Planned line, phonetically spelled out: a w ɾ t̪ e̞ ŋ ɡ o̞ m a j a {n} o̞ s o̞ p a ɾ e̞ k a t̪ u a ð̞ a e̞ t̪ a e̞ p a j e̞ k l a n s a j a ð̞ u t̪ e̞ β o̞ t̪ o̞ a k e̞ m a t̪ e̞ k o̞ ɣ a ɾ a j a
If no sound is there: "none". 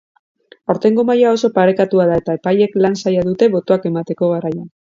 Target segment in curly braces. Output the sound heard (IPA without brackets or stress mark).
none